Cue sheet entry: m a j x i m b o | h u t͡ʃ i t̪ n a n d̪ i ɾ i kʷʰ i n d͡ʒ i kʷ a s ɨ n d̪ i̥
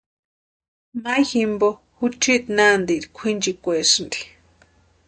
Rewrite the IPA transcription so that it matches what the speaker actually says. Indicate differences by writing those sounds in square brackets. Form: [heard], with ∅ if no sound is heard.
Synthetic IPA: m a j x i m b o | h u t͡ʃ i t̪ n a n d̪ i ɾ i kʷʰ i n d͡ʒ i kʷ [e] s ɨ n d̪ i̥